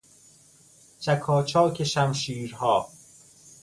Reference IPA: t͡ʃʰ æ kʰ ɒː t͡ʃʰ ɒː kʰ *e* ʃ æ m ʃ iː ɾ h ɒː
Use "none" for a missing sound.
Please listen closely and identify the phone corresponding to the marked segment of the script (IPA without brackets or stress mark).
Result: e